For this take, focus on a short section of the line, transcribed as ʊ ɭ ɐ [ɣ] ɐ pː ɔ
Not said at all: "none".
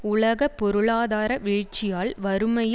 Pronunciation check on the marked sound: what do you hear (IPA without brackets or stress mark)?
ɣ